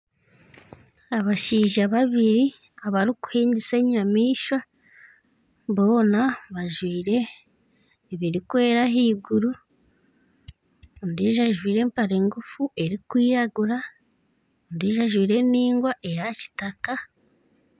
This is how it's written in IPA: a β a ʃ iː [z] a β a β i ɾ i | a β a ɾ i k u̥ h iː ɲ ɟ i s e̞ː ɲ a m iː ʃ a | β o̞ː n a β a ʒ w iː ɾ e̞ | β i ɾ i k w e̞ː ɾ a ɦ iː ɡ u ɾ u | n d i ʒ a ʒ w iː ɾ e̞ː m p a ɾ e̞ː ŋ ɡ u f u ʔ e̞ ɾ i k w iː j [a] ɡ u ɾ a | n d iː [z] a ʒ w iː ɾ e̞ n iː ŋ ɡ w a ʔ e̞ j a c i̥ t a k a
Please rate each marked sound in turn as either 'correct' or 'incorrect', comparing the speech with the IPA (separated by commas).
incorrect, correct, incorrect